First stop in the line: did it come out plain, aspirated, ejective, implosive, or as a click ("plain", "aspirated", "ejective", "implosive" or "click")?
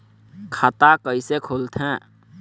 aspirated